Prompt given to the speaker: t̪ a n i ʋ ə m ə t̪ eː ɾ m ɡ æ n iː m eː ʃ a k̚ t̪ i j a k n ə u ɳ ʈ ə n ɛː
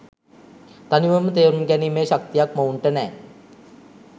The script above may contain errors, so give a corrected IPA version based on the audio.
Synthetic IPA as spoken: t̪ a n i ʋ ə m ə t̪ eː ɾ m ɡ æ n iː m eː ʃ a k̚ t̪ i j a k m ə u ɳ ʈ ə n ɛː